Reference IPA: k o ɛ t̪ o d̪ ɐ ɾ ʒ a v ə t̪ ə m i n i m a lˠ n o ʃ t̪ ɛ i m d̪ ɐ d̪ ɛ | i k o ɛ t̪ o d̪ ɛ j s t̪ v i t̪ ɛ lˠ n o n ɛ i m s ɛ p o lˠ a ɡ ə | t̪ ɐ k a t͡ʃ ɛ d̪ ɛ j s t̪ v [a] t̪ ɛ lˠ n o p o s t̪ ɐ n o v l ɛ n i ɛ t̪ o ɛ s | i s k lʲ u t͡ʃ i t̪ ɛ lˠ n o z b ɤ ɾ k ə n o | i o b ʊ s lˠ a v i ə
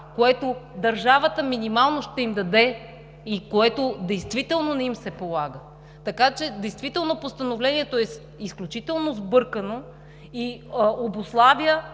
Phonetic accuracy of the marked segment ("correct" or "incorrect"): incorrect